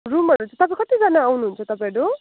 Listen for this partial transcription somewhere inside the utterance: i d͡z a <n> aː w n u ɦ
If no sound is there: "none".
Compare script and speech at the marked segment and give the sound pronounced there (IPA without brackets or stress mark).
n